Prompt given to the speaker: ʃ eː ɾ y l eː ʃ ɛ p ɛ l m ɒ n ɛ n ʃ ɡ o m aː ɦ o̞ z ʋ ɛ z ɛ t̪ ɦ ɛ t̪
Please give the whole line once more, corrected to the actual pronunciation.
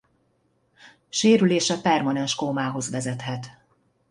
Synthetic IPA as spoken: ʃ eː ɾ y l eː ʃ ɛ p ɛ r m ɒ n ɛ n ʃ k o m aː ɦ o̞ z ʋ ɛ z ɛ t̪ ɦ ɛ t̪